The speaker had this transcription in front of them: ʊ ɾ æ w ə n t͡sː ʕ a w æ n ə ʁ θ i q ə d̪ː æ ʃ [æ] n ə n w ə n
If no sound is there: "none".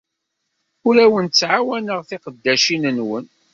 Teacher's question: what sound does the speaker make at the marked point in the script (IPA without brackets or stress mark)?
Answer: i